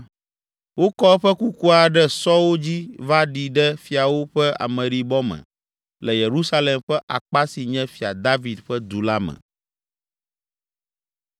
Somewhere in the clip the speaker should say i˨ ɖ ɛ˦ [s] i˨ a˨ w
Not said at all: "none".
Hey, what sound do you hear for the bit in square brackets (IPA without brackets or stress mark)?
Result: f